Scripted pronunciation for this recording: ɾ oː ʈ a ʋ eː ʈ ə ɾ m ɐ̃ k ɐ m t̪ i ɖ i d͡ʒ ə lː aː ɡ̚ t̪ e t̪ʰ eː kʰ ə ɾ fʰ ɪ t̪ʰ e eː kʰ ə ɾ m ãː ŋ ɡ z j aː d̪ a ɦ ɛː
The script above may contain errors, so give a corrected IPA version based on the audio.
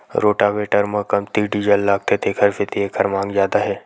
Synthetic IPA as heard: ɾ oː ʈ a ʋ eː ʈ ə ɾ m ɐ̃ k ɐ m t̪ i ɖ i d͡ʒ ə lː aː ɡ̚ t̪ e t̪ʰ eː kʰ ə ɾ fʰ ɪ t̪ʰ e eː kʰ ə ɾ m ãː ŋ ɡ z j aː d̪ a ɦ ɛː

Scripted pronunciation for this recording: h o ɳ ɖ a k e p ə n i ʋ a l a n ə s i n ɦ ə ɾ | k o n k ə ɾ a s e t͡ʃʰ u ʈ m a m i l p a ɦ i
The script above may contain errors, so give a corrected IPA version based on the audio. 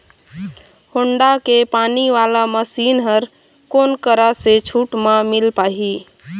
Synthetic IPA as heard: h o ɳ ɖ a k e p a n i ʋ a l a m ə s i n ɦ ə ɾ | k o n k ə ɾ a s e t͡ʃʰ u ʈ m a m i l p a ɦ i

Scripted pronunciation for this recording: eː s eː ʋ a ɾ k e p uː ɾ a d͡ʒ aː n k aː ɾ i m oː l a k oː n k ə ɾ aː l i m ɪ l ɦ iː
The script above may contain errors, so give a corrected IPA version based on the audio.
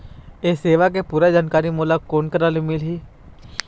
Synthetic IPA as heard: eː s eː ʋ a k e p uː ɾ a d͡ʒ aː n k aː ɾ i m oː l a k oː n k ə ɾ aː l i m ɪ l ɦ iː

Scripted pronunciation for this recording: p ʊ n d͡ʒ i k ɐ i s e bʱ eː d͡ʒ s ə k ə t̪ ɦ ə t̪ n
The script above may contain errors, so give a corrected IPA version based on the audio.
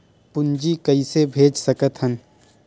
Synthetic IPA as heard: p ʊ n d͡ʒ i k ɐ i s e bʱ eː d͡ʒ s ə k ə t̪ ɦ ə n

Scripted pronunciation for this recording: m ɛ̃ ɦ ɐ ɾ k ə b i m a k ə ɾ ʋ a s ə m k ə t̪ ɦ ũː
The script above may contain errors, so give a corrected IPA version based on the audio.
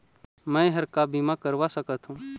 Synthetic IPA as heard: m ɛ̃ ɦ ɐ ɾ k a b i m a k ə ɾ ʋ a s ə k ə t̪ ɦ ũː

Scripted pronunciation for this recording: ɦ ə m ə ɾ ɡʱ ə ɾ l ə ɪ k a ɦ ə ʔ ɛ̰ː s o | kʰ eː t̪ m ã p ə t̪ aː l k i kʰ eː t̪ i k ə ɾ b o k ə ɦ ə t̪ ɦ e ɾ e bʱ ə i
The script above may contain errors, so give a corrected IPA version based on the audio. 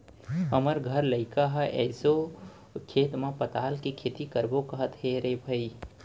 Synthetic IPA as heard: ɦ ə m ə ɾ ɡʱ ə ɾ l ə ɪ k a ɦ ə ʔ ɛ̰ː s o | kʰ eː t̪ m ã p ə t̪ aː l k i kʰ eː t̪ i k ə ɾ b o k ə ɦ ə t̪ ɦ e ɾ e bʱ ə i

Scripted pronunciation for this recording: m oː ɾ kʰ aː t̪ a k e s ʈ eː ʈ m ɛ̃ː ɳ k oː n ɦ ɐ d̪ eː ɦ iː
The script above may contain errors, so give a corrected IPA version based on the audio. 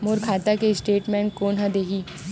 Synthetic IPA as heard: m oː ɾ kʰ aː t̪ a k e s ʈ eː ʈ m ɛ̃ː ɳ k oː n ɦ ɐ d̪ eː ɦ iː

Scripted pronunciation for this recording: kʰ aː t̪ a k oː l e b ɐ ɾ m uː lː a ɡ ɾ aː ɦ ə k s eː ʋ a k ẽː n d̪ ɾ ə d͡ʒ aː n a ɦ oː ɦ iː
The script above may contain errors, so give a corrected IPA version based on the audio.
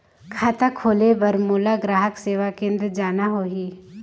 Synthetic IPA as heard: kʰ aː t̪ a kʰ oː l e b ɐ ɾ m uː l a ɡ ɾ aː ɦ ə k s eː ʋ a k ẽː n d̪ ɾ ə d͡ʒ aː n a ɦ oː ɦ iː

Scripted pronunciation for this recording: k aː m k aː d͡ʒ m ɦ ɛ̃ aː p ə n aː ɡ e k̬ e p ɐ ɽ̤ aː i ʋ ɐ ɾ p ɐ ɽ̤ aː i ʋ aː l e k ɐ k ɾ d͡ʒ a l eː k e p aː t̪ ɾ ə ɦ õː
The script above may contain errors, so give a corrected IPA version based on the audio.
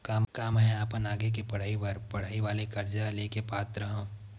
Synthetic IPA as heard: k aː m k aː m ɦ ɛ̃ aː p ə n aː ɡ e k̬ e p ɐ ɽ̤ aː i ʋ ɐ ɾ p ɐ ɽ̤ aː i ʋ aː l e k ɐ ɾ d͡ʒ a l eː k e p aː t̪ ɾ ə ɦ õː

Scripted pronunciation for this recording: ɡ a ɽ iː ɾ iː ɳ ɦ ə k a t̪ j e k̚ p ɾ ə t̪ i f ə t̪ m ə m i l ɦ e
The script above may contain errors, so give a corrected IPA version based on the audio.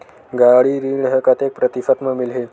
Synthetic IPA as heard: ɡ a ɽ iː ɾ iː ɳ ɦ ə k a t̪ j e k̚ p ɾ ə t̪ i f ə t̪ m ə m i l ɦ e

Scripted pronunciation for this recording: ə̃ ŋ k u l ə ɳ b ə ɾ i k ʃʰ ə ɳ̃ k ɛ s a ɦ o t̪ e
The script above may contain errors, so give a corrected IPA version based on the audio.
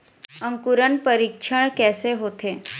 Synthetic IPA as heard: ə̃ ŋ k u ɾ ə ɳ p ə ɾ i k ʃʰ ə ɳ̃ k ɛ s e ɦ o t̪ e

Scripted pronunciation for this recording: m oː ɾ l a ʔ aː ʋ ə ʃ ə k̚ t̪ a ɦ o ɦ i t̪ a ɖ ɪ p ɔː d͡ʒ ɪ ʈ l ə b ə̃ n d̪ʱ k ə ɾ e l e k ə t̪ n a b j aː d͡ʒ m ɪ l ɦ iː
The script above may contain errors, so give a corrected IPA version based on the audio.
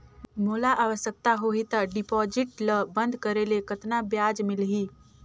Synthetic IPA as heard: m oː l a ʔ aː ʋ ə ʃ ə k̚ t̪ a ɦ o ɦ i t̪ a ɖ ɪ p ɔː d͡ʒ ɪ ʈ l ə b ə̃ n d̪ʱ k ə ɾ e l e k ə t̪ n a b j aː d͡ʒ m ɪ l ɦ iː

